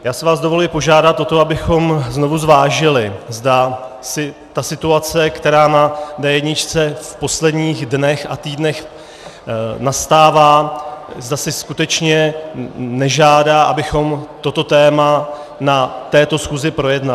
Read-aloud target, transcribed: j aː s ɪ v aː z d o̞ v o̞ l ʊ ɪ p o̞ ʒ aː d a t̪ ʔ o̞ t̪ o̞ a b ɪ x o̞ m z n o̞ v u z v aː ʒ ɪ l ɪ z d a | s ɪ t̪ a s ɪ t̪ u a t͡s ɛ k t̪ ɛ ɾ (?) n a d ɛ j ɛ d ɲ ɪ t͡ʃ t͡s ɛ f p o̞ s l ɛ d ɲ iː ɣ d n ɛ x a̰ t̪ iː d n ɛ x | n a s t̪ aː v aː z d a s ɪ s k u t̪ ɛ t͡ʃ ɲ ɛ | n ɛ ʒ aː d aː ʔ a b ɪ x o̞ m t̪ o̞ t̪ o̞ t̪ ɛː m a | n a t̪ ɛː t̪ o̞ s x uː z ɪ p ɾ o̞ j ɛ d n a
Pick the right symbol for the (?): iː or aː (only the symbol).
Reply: aː